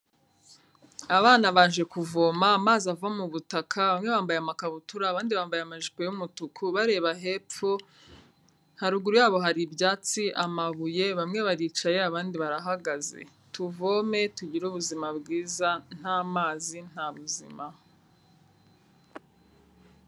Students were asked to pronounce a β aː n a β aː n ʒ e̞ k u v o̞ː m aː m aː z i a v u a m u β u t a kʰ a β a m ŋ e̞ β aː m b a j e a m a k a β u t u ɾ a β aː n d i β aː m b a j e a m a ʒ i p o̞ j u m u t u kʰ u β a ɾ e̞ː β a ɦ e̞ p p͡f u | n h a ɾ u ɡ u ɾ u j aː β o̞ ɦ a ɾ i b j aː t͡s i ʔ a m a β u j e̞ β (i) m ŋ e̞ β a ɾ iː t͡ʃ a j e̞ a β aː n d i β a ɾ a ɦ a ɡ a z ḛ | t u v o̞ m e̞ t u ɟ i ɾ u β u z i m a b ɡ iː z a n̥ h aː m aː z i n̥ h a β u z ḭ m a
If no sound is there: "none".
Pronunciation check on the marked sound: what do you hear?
a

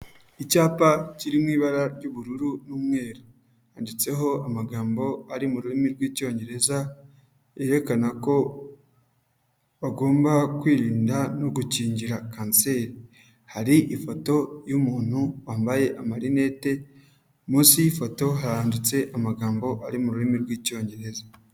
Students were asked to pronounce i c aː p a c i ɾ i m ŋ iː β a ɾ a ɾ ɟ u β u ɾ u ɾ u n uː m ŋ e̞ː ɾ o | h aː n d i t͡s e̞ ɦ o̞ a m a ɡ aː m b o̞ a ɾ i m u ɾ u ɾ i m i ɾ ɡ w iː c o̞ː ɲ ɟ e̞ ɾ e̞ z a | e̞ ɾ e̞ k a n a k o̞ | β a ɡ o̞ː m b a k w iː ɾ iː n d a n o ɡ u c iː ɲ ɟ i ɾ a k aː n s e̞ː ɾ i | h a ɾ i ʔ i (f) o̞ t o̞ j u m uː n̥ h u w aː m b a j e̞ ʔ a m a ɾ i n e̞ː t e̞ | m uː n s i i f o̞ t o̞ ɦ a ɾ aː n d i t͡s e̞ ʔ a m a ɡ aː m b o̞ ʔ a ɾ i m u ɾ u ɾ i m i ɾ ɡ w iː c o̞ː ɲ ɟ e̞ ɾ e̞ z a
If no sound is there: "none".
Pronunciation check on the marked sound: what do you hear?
f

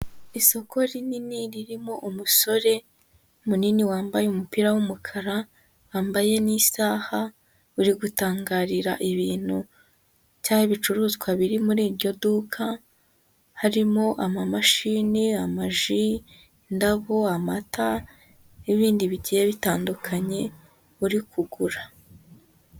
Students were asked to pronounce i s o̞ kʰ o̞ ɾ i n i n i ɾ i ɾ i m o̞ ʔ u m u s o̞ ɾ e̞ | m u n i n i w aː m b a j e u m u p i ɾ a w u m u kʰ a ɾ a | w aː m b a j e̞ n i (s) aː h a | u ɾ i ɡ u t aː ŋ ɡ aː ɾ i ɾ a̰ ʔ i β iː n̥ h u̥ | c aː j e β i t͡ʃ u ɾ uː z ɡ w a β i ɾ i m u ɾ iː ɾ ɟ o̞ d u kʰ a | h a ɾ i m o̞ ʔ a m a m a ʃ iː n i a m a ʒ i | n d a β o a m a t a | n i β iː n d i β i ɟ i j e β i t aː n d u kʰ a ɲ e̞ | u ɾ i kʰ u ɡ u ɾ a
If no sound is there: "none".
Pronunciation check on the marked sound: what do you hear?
s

